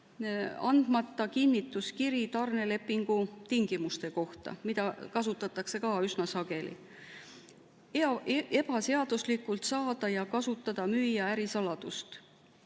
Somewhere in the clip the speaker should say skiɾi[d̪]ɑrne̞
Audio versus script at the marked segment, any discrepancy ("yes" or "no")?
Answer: yes